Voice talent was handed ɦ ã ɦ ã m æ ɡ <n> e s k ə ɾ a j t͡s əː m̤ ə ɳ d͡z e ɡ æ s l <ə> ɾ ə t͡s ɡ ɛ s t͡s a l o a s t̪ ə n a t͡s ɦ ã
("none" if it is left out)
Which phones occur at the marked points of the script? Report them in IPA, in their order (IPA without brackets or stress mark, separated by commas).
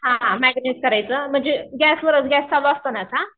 n, ə